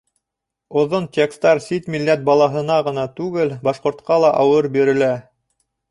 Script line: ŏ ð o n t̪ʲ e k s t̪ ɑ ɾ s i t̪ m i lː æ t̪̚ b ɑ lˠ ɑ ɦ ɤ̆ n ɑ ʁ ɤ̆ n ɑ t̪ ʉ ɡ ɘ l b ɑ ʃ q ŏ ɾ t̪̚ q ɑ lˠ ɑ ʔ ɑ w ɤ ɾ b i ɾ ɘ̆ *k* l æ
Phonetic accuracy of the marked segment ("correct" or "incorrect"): incorrect